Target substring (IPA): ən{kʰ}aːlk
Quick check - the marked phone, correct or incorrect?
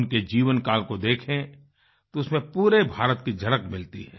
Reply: incorrect